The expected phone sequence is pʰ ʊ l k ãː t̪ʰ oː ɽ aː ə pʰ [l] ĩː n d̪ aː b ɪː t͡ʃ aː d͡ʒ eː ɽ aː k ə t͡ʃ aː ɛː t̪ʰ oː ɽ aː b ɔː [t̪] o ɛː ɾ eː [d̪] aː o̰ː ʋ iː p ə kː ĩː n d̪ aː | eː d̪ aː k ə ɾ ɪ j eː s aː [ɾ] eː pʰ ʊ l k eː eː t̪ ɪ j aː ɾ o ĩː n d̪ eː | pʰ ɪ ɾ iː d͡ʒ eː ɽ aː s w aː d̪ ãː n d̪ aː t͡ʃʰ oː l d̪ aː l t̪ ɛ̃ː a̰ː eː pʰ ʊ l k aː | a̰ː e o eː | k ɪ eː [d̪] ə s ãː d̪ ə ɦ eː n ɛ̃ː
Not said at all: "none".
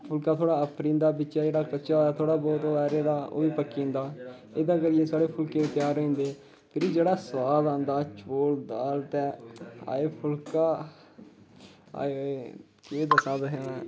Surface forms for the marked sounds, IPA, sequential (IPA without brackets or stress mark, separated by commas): ɾ, t̪, d̪, ɽ, d̪